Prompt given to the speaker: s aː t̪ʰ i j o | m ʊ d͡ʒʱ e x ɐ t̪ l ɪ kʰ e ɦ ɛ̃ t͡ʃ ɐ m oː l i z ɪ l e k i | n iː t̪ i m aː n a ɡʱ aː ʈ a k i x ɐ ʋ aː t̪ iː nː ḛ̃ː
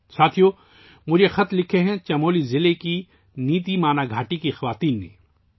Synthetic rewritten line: s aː t̪ʰ i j o | m ʊ d͡ʒʱ e x ɐ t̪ l ɪ kʰ e ɦ ɛ̃ t͡ʃ ɐ m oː l i z ɪ l e k i | n iː t̪ i m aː n a ɡʱ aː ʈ i k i x ɐ ʋ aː t̪ iː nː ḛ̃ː